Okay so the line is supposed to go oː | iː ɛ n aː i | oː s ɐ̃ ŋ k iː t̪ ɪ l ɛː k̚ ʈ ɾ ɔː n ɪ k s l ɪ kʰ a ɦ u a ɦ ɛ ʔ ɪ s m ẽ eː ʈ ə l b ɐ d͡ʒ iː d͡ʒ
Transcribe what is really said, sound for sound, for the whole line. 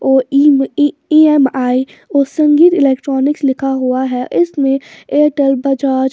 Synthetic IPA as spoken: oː | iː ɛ m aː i | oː s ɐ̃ ŋ ɡ iː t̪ ɪ l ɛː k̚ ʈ ɾ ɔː n ɪ k s l ɪ kʰ a ɦ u a ɦ ɛ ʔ ɪ s m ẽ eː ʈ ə l b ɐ d͡ʒ aː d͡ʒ